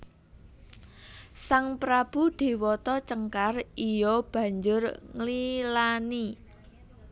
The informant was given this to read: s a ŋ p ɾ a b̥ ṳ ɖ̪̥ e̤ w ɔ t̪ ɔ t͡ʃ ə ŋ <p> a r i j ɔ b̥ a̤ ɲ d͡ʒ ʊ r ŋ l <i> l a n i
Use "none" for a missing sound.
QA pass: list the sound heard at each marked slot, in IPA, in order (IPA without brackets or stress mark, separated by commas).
k, i